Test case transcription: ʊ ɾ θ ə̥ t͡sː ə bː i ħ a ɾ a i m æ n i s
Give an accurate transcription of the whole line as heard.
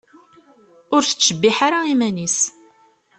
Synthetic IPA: ʊ ɾ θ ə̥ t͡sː ə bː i ħ a ɾ a i m æ n i s